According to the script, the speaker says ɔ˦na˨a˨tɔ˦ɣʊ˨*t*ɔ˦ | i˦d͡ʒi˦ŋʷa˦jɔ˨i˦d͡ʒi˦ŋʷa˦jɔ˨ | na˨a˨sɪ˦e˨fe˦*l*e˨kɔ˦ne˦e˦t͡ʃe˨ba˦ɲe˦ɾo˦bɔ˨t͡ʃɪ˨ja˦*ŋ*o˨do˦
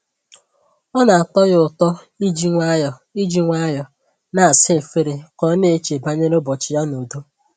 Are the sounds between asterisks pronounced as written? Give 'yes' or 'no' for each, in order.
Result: yes, no, no

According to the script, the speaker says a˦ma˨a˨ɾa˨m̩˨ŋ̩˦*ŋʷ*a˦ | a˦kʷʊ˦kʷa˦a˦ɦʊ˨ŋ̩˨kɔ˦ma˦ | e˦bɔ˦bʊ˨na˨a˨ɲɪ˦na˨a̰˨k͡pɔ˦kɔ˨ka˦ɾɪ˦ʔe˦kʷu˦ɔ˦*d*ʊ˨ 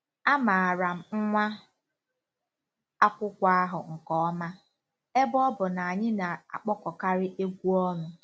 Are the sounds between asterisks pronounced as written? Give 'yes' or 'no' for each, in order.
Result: yes, no

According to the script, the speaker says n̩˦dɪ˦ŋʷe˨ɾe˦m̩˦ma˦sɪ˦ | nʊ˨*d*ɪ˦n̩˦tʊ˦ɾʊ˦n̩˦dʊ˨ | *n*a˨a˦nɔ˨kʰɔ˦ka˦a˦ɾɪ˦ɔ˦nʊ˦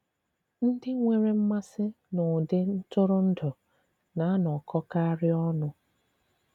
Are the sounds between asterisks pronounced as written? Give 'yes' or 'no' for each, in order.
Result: yes, yes

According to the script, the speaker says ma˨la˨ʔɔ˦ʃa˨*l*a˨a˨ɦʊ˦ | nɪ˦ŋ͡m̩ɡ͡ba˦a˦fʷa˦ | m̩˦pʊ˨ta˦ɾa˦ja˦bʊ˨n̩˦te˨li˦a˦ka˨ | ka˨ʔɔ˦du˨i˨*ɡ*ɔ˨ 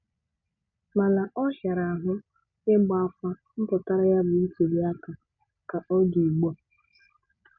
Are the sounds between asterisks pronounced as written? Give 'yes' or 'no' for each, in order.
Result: no, no

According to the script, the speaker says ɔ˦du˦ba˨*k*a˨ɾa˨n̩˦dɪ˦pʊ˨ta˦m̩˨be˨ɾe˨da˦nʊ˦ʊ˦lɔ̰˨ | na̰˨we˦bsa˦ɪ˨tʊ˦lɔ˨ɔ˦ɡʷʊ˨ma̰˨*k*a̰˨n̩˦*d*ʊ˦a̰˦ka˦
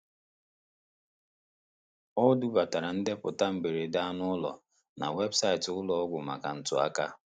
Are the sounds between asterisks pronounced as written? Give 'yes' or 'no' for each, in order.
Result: no, yes, no

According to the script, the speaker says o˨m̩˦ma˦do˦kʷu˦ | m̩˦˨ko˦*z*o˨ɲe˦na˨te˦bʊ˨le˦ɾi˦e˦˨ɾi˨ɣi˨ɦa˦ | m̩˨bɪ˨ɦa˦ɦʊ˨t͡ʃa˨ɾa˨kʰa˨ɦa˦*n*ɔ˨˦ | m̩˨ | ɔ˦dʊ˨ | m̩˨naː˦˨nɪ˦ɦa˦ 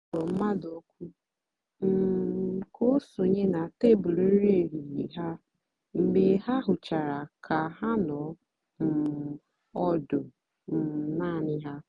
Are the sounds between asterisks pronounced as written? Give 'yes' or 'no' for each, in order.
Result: no, yes

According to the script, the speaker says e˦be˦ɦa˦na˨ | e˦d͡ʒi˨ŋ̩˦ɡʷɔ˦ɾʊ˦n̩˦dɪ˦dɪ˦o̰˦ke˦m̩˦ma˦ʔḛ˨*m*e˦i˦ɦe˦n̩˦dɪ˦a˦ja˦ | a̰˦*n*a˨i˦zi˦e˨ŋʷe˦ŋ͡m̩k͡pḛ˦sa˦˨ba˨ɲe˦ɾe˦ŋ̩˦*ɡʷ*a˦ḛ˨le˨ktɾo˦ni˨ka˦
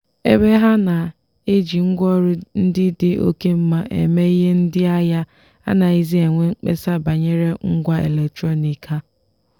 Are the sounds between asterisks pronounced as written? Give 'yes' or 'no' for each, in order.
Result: yes, yes, yes

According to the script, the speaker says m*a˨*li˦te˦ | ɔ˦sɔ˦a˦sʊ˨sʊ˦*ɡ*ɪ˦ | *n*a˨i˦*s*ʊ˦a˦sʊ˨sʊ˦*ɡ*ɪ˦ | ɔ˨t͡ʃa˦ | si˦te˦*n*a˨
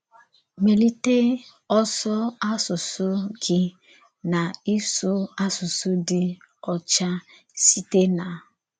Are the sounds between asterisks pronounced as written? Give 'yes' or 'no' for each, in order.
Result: no, yes, yes, yes, no, yes

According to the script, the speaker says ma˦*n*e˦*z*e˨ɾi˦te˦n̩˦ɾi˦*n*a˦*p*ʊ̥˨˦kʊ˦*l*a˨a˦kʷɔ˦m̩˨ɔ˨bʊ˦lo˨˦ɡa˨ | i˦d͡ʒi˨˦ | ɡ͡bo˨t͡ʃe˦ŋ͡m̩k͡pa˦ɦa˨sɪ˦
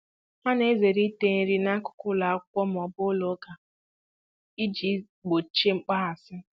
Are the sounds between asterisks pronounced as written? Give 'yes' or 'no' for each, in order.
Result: yes, yes, yes, no, yes

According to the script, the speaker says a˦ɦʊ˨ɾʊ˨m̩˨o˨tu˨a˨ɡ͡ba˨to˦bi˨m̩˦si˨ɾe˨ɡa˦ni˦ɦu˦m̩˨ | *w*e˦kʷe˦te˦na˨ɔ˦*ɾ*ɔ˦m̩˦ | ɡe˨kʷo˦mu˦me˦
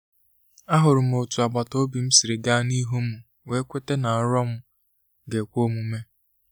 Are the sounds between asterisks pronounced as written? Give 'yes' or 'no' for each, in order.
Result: yes, yes

